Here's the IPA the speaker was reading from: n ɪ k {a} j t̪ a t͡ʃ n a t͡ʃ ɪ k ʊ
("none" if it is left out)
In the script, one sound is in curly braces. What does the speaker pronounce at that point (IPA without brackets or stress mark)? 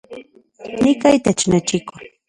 a